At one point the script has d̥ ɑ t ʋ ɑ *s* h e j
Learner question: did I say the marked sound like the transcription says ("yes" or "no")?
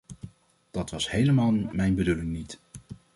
yes